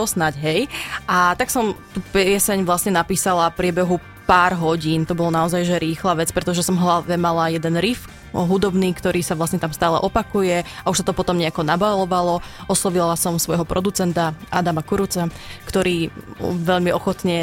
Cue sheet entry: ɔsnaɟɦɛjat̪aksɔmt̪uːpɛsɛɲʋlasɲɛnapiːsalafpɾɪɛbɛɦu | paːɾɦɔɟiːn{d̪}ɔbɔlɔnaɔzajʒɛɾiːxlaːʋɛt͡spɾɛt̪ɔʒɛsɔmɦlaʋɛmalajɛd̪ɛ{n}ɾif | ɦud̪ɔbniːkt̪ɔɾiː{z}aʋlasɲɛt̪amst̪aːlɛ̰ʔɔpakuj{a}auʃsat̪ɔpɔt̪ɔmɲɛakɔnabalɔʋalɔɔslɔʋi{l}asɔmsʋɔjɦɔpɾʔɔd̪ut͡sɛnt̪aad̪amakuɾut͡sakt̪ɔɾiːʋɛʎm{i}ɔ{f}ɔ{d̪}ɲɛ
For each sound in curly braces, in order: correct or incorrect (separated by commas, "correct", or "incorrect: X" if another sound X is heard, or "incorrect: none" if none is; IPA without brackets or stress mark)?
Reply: incorrect: t̪, correct, incorrect: s, incorrect: ɛ, correct, correct, incorrect: x, incorrect: t̪